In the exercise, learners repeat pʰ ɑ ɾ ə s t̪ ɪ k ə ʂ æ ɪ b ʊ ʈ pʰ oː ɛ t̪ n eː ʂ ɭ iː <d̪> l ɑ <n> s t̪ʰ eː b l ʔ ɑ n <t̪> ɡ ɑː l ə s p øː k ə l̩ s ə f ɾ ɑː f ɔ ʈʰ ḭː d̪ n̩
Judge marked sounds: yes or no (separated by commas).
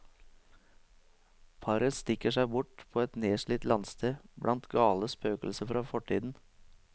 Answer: no, yes, yes